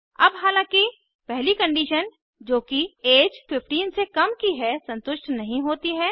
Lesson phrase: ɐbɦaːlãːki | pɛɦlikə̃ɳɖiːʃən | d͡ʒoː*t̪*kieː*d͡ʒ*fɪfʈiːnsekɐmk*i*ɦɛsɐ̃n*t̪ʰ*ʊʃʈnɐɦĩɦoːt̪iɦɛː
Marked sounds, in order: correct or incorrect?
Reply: incorrect: none, correct, correct, incorrect: t̪

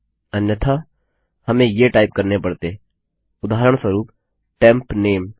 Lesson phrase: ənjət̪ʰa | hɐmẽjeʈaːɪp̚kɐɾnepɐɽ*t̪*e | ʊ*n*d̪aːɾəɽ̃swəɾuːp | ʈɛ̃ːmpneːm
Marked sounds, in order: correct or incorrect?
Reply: correct, incorrect: none

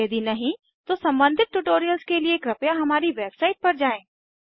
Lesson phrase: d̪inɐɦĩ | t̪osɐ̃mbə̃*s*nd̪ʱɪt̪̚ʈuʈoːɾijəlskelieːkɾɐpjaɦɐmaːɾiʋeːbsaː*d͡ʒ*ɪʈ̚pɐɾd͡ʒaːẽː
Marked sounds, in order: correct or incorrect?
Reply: incorrect: none, incorrect: none

